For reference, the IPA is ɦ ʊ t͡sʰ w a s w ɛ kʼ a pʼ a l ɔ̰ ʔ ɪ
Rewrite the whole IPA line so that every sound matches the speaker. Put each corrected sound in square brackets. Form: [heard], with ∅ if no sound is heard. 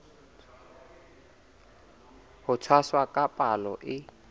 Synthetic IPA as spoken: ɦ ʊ t͡sʰ w a s w [a] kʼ a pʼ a l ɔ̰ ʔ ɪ